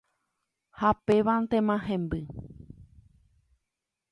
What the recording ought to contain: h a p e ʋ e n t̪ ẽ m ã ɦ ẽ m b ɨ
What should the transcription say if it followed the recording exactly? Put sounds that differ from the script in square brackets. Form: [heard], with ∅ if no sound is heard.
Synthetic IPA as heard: h a p e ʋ [a] n t̪ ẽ m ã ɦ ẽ m b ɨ